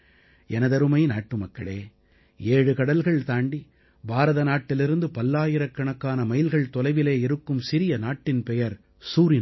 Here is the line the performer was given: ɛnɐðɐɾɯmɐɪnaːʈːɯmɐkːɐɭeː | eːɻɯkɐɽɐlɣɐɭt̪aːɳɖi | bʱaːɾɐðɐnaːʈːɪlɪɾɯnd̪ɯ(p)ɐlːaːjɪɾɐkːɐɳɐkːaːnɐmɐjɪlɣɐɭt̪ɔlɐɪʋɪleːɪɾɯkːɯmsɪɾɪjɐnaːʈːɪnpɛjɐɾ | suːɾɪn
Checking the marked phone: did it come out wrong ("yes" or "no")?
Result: no